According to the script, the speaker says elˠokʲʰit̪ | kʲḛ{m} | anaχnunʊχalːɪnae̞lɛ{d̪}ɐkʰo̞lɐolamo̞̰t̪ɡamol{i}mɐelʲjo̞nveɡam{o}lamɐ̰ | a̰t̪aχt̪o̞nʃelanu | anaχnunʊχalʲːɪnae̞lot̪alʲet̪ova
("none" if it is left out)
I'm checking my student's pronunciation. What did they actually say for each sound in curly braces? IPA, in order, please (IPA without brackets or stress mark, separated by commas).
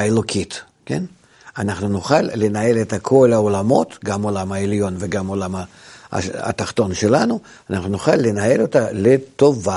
n, t̪, a, o